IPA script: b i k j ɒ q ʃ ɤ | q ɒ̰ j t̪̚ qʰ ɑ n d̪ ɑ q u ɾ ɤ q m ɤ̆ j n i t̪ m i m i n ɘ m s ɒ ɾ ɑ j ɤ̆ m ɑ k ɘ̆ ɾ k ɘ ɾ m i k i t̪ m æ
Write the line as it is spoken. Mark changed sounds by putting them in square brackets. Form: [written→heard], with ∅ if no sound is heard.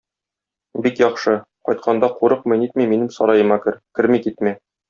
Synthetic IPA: b i k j ɒ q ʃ ɤ | q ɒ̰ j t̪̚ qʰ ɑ n d̪ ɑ q u ɾ ɤ q m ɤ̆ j n i t̪ m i m i n ɘ m s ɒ ɾ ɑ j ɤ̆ m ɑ k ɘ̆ ɾ k ɘ ɾ m i k i t̪ m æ